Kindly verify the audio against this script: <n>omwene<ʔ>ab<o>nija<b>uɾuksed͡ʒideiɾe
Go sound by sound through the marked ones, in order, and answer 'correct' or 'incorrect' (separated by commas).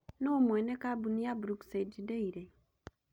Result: correct, incorrect, incorrect, correct